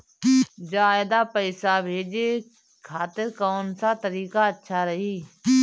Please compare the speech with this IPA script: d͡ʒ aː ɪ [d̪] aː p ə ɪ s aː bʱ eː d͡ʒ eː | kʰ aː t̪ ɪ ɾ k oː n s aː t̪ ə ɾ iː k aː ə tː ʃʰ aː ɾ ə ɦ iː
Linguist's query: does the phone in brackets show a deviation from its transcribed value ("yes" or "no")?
no